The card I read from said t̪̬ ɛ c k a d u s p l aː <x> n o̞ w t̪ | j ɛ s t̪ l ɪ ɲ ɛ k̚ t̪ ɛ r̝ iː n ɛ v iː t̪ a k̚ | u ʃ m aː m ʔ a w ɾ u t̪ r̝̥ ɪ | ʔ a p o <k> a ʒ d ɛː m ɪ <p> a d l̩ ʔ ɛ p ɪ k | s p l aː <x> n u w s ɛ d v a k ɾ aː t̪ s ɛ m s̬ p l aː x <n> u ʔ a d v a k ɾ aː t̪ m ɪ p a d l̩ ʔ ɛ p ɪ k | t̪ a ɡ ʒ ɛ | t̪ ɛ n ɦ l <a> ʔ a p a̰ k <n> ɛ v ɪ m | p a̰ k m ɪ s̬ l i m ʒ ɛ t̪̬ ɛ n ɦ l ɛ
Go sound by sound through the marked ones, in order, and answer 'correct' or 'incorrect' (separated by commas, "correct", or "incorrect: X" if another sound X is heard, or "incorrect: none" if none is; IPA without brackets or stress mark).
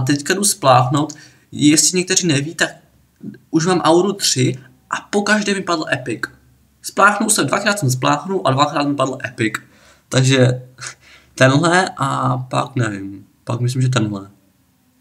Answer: correct, correct, correct, correct, correct, incorrect: ɛ, correct